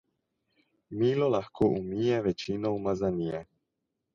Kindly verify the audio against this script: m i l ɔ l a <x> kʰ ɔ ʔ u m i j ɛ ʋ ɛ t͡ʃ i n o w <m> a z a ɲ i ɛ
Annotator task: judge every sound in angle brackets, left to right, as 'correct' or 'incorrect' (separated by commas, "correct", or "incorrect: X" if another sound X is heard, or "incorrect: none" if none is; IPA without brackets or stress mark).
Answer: correct, correct